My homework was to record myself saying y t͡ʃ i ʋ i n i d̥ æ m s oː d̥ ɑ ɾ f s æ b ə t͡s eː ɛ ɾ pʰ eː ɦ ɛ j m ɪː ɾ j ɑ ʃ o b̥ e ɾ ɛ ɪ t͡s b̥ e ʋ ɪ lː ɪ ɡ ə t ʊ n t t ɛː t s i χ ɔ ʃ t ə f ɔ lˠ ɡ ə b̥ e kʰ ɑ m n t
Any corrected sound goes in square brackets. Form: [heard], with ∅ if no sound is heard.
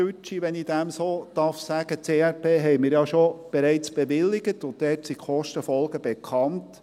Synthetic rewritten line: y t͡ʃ i ʋ [ɛ] n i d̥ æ m s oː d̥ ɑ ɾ f s æ [ɡ] ə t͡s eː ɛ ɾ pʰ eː ɦ ɛ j m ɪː ɾ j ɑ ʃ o b̥ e ɾ ɛ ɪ t͡s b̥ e ʋ ɪ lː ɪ ɡ ə t ʊ n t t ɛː t s i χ ɔ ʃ t ə f ɔ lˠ ɡ ə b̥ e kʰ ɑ [∅] n t